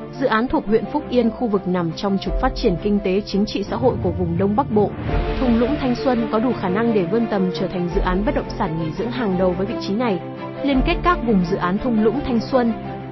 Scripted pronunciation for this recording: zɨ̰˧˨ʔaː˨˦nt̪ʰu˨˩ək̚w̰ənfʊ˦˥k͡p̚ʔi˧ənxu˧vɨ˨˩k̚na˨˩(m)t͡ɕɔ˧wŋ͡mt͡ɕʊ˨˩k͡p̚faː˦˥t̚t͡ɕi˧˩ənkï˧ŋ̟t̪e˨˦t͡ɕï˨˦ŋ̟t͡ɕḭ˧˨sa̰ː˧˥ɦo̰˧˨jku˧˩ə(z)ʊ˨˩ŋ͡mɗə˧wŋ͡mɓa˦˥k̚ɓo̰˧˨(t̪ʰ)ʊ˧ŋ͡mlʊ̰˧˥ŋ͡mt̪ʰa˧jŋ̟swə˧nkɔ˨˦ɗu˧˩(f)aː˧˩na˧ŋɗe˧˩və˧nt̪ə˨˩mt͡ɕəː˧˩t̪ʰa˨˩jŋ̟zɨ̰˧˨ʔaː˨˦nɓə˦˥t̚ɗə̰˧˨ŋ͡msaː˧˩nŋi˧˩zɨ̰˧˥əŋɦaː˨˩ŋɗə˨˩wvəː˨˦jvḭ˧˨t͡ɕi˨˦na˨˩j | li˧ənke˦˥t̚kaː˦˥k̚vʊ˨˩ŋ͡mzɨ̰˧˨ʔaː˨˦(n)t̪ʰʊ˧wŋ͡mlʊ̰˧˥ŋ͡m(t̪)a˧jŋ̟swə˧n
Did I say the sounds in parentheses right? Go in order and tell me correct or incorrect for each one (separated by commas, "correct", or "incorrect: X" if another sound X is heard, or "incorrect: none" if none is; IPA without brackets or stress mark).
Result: correct, incorrect: v, correct, incorrect: x, correct, incorrect: t̪ʰ